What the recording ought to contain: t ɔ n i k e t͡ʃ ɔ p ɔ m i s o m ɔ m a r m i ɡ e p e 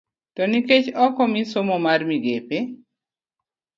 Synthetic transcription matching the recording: t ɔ n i k e t͡ʃ ɔ k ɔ m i s o m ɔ m a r m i ɡ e p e